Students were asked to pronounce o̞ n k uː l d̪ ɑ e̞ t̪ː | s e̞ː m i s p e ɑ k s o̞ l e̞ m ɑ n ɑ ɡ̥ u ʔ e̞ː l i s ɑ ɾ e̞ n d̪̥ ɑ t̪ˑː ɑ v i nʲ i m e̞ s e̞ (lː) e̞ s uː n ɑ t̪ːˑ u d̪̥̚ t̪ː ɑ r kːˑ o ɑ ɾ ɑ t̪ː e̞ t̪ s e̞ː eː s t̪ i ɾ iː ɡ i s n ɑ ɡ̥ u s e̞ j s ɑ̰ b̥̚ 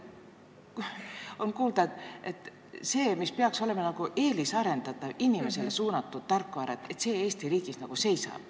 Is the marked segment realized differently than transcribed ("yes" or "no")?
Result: yes